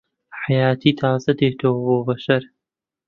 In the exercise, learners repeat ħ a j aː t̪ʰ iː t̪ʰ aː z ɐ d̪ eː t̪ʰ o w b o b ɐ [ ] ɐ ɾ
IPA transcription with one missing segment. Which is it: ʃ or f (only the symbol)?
ʃ